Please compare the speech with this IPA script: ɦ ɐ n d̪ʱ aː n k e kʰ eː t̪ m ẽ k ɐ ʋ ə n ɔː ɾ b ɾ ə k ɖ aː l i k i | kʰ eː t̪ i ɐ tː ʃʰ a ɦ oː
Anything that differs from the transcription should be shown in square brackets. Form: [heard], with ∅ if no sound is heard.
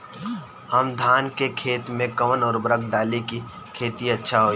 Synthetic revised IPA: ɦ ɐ [m] d̪ʱ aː n k e kʰ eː t̪ m ẽ k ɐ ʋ ə n ɔː ɾ b ɾ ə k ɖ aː l i k i | kʰ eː t̪ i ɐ tː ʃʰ a ɦ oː